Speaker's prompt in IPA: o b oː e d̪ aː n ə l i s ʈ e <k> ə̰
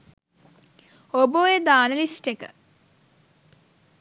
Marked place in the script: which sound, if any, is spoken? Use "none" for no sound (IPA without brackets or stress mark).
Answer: k